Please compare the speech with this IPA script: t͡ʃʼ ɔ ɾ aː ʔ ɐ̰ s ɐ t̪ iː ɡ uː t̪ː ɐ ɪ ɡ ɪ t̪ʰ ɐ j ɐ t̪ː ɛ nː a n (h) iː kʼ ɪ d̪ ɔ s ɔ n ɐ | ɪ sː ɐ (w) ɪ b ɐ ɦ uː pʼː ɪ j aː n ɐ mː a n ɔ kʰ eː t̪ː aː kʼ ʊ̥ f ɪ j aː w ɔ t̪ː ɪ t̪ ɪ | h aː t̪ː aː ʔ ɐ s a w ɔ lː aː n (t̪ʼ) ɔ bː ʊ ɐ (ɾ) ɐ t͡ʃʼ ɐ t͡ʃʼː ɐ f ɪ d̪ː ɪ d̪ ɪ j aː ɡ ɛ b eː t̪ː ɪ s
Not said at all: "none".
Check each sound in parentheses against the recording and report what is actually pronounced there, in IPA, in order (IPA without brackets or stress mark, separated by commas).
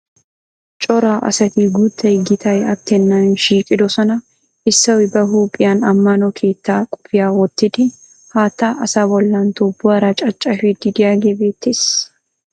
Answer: ʃ, w, t̪, ɾ